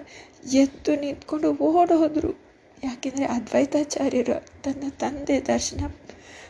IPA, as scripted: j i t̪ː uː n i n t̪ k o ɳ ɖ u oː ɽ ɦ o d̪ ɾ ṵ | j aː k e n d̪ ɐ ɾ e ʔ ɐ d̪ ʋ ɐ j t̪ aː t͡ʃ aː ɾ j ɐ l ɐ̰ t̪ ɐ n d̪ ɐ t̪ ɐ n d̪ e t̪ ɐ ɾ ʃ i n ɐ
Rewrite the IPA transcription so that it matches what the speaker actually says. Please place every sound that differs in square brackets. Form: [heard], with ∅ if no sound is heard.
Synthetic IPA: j [e] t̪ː [u] n i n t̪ k o ɳ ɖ u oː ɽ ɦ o d̪ ɾ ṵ | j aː k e n d̪ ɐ ɾ e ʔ ɐ d̪ ʋ ɐ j t̪ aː t͡ʃ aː ɾ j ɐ [ɾ] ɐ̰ t̪ ɐ n d̪ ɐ t̪ ɐ n d̪ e [d̪] ɐ ɾ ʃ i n ɐ